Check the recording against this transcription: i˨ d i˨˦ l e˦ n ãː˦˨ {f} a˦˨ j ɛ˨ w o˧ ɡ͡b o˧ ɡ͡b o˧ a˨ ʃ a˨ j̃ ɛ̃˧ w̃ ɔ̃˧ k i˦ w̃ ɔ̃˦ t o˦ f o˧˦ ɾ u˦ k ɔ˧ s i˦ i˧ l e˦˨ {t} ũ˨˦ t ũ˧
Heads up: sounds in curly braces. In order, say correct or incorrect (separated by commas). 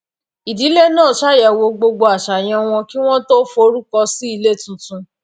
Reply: incorrect, correct